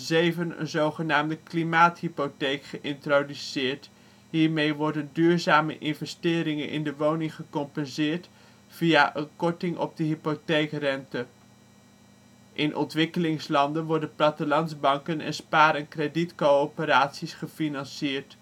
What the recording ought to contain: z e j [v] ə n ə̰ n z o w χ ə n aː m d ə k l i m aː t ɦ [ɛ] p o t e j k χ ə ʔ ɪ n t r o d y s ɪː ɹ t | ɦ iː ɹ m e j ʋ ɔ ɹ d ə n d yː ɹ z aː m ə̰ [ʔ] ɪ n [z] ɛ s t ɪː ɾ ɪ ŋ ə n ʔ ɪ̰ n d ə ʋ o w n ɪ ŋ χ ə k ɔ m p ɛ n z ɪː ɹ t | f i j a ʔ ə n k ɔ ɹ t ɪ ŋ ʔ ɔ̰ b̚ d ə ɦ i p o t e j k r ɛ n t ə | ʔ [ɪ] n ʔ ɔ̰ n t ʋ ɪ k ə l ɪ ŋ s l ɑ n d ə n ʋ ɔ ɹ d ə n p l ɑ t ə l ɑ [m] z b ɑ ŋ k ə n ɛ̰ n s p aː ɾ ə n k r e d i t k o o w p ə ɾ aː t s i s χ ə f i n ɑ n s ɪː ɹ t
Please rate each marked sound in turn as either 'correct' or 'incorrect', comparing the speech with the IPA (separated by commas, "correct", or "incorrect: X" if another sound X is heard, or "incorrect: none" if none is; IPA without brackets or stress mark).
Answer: correct, incorrect: i, correct, incorrect: v, correct, incorrect: n